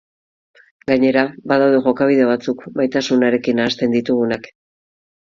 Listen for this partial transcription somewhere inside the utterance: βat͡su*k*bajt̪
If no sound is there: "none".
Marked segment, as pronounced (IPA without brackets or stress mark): k